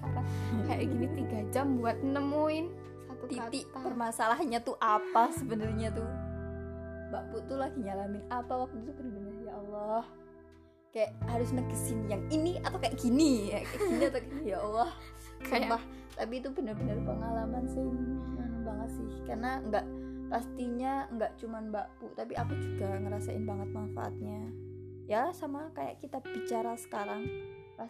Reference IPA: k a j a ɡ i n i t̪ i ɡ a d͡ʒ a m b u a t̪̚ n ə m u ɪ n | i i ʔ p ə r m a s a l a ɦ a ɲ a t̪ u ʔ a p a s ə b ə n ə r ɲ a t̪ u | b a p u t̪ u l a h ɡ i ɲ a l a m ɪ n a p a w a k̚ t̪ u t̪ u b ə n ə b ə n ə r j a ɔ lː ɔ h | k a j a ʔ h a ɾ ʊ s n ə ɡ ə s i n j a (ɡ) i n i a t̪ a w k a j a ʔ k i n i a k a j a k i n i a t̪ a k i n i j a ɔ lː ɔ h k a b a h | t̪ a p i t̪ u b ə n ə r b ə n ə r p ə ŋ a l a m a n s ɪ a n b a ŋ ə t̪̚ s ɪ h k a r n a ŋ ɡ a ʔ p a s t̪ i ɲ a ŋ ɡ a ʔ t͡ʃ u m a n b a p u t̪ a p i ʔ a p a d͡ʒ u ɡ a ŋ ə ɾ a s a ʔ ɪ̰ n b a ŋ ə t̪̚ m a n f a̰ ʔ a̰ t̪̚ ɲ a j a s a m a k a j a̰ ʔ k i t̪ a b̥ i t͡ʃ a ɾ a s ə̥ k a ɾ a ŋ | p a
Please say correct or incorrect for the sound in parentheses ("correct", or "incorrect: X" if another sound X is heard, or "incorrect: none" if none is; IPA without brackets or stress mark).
incorrect: ŋ